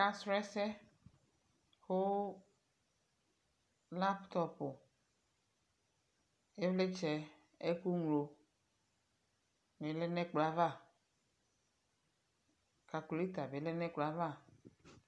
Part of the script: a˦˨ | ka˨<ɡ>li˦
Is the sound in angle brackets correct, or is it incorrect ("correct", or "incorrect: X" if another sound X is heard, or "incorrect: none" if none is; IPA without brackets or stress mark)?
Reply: incorrect: k